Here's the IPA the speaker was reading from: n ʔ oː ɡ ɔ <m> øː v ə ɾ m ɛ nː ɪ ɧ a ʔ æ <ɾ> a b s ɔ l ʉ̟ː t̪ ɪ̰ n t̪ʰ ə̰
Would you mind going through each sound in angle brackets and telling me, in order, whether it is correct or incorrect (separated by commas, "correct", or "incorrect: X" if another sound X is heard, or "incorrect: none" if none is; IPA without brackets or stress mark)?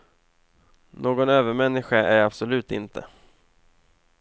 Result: incorrect: n, correct